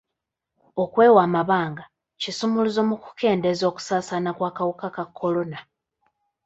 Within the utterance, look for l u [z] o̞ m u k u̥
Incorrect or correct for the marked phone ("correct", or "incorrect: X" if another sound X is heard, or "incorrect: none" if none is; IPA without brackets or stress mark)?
correct